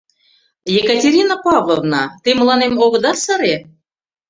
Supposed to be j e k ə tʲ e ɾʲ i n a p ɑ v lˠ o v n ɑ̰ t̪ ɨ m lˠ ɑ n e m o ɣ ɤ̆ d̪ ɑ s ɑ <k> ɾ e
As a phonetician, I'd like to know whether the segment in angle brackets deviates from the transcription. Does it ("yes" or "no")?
yes